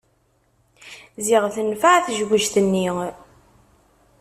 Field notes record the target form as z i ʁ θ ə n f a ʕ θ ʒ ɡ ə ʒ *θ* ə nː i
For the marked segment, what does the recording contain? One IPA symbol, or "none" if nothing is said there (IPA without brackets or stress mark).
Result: θ